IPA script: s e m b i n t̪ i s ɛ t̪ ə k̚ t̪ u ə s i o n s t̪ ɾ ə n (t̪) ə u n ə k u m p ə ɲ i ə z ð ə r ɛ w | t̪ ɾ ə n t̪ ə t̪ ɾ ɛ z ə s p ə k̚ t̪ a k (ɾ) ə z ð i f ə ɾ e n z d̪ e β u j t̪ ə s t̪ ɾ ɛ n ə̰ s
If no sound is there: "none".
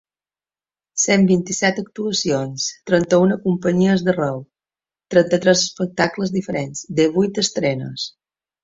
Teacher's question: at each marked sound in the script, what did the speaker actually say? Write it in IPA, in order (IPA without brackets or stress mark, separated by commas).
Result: t̪, l